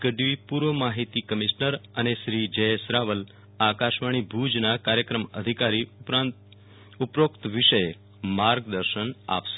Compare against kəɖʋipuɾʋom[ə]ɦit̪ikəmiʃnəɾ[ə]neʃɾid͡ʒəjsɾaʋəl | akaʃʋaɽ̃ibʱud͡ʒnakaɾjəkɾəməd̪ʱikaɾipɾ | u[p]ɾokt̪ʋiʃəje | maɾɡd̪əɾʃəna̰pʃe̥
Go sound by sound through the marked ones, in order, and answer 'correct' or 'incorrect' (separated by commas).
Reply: incorrect, correct, correct